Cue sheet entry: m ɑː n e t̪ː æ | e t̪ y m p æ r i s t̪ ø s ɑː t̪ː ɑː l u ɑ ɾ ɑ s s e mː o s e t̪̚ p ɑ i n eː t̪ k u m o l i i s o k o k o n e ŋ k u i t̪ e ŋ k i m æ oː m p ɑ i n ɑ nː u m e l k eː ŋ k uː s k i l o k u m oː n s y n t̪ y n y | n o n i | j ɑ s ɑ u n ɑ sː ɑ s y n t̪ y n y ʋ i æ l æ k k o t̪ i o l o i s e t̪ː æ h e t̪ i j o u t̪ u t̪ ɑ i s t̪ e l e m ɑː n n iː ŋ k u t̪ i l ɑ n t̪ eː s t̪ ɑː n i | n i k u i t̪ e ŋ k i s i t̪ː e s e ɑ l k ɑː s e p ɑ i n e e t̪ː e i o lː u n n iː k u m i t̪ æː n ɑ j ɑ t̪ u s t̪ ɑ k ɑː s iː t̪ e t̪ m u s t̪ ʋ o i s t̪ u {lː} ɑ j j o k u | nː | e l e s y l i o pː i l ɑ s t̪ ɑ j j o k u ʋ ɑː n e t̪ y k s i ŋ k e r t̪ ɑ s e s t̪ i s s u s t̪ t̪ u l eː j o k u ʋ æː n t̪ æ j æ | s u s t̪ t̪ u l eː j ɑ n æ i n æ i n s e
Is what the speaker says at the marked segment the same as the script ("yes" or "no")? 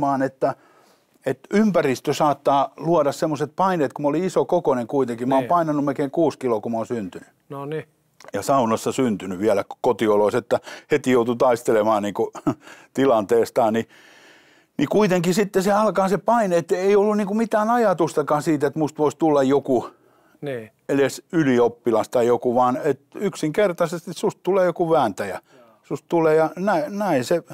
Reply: yes